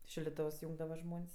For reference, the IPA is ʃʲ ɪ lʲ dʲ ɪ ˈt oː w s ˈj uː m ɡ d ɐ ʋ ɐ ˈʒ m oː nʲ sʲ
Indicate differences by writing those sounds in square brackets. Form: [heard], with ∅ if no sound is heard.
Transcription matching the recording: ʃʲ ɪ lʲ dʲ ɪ ˈt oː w s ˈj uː [ŋ] ɡ d ɐ ʋ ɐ ˈʒ m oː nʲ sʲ